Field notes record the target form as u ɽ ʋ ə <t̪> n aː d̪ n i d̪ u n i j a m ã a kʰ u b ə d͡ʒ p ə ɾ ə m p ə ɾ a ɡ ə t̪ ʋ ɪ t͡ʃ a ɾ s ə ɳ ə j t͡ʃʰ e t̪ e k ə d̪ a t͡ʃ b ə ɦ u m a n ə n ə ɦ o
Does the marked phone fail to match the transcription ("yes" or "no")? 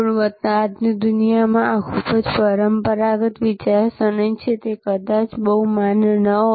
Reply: no